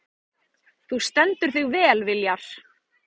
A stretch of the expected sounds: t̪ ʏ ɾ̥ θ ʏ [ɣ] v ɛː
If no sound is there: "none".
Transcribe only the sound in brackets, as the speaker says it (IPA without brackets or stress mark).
ɣ